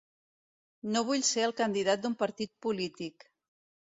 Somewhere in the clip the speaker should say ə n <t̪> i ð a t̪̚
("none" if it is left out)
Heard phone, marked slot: d̪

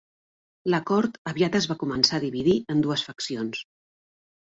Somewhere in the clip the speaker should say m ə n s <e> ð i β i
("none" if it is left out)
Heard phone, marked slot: a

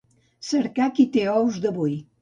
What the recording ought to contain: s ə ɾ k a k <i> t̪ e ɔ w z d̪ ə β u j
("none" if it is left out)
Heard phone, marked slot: i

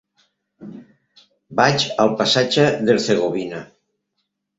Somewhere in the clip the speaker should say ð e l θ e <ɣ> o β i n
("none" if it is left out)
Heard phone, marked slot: ɣ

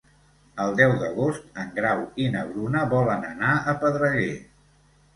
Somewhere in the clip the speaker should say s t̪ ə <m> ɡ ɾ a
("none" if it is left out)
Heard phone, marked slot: ŋ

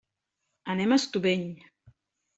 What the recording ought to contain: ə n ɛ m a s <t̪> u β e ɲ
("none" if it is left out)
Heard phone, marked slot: t̪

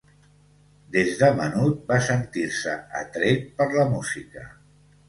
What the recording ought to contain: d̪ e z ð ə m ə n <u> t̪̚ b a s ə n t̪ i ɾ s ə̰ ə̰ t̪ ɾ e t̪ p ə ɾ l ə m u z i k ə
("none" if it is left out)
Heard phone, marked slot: u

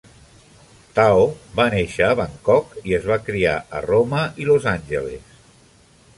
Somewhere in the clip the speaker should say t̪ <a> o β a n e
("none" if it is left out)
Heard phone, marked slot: a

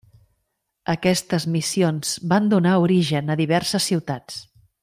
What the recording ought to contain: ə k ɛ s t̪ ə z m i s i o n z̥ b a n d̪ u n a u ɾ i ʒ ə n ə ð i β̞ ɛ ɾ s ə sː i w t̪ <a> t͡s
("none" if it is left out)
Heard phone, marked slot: a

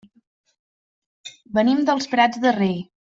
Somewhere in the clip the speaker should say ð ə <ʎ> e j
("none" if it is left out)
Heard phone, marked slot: r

